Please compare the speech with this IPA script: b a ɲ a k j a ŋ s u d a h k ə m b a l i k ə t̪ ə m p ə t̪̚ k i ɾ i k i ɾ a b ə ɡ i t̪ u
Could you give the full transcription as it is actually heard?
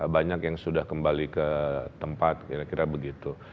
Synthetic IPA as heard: b a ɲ a k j a ŋ s u d a h k ə m b a l i k ə t̪ ə m p a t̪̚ k i ɾ a k i ɾ a b ə ɡ i t̪ u